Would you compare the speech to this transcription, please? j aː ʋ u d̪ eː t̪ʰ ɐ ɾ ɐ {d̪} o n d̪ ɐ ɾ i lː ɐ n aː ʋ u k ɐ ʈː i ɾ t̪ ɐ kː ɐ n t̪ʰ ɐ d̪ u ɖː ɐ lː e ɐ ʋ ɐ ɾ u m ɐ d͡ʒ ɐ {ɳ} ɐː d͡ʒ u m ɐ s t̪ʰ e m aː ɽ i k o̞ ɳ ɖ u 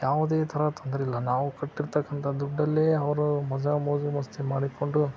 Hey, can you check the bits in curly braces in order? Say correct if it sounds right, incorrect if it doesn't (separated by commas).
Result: incorrect, incorrect